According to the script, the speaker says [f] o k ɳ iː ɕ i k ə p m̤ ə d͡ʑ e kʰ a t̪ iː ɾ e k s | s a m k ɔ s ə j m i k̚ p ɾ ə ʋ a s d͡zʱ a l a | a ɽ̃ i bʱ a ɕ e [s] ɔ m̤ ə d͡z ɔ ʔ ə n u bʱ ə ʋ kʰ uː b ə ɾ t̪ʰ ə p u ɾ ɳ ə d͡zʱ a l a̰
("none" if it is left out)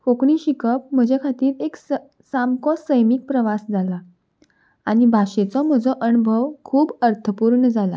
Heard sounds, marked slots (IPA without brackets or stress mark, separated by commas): f, t͡s